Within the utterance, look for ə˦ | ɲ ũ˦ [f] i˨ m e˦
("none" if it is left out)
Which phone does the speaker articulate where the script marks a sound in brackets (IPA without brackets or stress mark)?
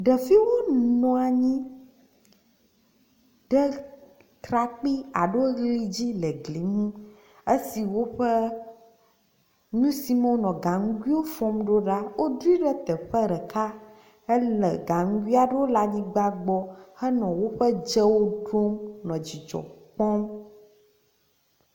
s